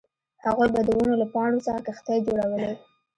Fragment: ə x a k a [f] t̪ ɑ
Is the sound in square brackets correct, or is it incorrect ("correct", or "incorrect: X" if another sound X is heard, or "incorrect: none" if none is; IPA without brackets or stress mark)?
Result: incorrect: x